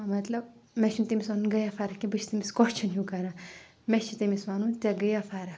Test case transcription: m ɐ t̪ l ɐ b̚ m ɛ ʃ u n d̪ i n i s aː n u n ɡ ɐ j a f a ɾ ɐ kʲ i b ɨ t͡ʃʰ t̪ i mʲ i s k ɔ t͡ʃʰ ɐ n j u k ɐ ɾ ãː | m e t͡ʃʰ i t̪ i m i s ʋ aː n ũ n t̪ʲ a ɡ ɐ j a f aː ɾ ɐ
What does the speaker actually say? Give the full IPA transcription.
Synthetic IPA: m ɐ t̪ l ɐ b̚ m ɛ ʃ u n t̪ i m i s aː n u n ɡ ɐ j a f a ɾ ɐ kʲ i b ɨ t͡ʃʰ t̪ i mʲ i s k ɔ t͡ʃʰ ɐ n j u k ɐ ɾ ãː | m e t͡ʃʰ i t̪ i m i s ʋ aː n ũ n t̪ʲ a ɡ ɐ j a f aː ɾ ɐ